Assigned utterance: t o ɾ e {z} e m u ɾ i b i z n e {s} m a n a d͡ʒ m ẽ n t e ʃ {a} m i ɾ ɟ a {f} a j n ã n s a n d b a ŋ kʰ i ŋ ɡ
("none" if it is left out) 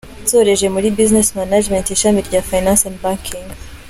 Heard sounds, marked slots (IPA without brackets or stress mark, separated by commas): ʒ, s, a, f